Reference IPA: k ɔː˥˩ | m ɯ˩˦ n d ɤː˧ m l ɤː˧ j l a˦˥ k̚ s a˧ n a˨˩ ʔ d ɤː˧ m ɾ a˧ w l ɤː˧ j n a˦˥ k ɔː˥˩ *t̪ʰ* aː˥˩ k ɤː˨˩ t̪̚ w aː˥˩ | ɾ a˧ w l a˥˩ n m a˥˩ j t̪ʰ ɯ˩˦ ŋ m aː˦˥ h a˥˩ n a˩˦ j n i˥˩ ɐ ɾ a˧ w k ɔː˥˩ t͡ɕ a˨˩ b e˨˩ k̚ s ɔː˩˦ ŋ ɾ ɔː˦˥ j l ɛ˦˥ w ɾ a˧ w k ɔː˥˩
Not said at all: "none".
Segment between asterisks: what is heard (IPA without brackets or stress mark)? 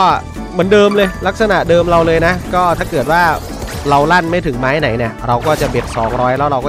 t̪ʰ